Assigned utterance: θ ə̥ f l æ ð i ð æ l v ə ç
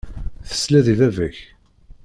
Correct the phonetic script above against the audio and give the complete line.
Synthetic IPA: θ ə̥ s l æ ð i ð æ v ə ç